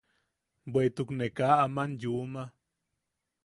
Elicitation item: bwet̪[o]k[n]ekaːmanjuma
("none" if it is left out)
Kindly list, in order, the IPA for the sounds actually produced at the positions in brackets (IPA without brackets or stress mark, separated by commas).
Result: u, n